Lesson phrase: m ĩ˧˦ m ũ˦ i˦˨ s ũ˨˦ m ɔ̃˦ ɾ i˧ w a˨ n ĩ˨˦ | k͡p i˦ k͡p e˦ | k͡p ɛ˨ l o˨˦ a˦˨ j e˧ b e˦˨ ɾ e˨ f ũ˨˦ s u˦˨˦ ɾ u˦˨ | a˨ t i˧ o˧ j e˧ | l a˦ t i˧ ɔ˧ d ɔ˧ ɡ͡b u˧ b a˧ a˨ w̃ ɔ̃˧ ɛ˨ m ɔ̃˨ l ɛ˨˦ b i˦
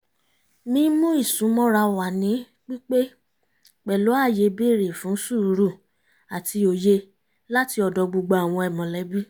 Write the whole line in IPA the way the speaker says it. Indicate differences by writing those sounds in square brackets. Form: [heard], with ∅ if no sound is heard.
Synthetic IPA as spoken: m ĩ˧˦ m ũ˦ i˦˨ s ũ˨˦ m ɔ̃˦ ɾ [a˧] w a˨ n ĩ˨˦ | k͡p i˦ k͡p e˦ | k͡p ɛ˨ l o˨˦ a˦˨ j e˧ b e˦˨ ɾ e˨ f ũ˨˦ s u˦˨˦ ɾ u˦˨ | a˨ t i˧ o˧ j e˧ | l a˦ t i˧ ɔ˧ d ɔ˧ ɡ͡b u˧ [ɡ͡b] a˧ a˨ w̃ ɔ̃˧ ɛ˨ m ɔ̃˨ l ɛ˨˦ b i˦

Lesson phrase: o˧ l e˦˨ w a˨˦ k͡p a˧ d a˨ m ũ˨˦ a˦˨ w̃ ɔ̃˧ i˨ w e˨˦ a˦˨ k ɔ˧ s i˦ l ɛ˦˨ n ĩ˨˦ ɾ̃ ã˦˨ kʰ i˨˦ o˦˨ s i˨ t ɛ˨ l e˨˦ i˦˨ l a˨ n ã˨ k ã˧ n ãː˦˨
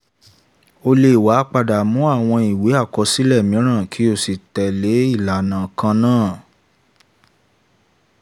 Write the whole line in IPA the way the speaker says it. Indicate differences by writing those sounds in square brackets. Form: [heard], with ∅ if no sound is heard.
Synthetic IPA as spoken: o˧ l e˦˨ w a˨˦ k͡p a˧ d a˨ m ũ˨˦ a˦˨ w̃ ɔ̃˧ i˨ w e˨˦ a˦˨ k ɔ˧ s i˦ l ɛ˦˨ [m] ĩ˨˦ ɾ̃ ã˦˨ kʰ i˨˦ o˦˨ s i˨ t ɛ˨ l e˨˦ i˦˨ l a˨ n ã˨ k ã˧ n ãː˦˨

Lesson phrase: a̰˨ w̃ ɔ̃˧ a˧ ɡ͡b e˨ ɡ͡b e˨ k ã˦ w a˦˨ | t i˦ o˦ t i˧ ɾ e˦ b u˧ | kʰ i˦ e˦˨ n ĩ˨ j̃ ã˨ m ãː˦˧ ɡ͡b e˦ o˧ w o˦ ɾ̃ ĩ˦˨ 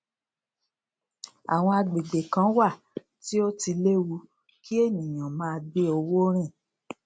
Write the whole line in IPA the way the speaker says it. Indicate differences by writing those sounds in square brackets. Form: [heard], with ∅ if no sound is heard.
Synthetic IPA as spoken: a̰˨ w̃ ɔ̃˧ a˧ ɡ͡b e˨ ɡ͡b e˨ k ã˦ w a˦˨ | t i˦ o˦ t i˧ [l] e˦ [w] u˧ | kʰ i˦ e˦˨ n ĩ˨ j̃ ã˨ m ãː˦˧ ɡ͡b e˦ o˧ w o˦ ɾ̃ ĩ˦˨

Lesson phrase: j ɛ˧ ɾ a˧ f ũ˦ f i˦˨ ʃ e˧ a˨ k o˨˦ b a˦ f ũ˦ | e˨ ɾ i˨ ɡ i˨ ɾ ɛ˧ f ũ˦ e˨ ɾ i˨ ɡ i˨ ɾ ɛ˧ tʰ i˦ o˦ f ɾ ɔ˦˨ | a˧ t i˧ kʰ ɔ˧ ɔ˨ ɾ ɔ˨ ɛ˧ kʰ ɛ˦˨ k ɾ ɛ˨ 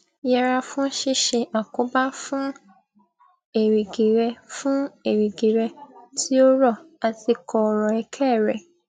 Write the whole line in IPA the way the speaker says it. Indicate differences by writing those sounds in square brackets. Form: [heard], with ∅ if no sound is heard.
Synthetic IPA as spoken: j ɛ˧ ɾ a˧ f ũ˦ [ʃ] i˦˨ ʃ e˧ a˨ k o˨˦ b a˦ f ũ˦ | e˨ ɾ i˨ ɡ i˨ ɾ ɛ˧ f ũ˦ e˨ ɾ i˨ ɡ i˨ ɾ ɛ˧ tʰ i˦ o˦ [∅] ɾ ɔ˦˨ | a˧ t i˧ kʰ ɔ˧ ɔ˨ ɾ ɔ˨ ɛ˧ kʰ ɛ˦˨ [∅] ɾ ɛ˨

